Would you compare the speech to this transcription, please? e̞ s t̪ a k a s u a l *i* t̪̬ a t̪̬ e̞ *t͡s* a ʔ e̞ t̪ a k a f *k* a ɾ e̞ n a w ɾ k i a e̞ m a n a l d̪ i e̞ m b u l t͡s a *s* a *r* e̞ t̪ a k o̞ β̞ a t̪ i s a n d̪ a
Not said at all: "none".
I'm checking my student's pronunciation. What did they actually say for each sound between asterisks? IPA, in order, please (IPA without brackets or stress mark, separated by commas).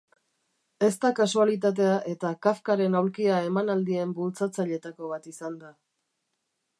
i, none, k, t͡s, ʎ